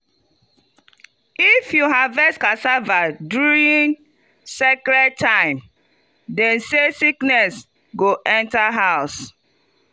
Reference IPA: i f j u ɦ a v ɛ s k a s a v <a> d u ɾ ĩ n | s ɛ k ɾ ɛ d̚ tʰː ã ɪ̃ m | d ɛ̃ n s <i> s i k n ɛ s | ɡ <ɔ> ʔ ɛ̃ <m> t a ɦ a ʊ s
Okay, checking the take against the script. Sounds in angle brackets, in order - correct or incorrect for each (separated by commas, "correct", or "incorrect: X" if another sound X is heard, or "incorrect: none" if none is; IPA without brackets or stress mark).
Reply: correct, incorrect: e, incorrect: o, incorrect: n